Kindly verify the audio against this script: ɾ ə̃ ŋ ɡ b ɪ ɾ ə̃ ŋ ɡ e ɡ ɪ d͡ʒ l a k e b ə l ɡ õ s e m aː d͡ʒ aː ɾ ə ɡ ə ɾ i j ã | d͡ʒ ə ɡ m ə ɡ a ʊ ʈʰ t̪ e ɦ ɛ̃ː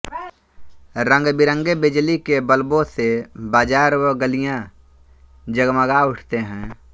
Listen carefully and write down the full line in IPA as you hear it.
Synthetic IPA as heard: ɾ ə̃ ŋ ɡ b ɪ ɾ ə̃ ŋ ɡ e b ɪ d͡ʒ l i k e b ə l b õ s e b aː d͡ʒ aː ɾ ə ɡ ə l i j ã | d͡ʒ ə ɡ m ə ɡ a ʊ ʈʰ t̪ e ɦ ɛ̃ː